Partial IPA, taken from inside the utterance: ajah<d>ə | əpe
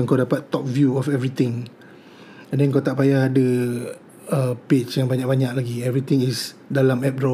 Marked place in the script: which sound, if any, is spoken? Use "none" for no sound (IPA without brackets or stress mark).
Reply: d